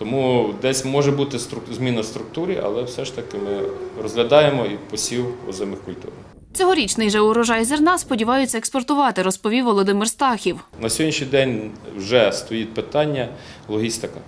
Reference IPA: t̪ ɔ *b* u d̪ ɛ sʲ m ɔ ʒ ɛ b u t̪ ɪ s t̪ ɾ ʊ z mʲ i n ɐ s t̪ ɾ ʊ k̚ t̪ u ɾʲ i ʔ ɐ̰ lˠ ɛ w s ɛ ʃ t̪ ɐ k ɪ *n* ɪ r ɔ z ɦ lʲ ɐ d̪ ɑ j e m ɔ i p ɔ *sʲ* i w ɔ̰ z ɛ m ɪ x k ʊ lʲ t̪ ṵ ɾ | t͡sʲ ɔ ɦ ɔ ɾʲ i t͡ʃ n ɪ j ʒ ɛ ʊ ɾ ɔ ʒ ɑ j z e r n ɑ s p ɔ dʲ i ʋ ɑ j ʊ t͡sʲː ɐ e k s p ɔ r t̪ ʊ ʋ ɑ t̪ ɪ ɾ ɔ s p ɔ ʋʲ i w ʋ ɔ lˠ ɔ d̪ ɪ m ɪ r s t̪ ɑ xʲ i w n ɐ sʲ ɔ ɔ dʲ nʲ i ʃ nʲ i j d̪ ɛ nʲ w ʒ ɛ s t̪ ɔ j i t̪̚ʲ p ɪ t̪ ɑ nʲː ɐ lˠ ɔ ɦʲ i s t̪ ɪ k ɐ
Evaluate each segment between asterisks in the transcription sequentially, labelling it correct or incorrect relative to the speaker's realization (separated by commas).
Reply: incorrect, incorrect, correct